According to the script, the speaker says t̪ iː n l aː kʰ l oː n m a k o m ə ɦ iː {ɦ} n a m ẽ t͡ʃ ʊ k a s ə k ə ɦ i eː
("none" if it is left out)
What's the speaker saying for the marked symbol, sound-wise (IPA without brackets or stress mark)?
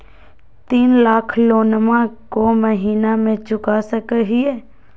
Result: none